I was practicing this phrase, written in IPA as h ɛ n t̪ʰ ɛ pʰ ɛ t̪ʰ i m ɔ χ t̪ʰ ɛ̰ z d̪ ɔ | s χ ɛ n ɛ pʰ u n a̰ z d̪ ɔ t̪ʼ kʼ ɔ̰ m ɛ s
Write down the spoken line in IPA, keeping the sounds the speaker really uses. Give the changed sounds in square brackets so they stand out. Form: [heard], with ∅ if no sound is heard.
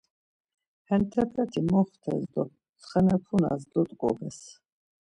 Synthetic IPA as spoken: h ɛ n t̪ʰ ɛ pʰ ɛ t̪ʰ i m ɔ χ t̪ʰ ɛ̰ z d̪ ɔ | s χ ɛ n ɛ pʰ u n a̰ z d̪ ɔ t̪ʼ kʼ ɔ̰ [b] ɛ s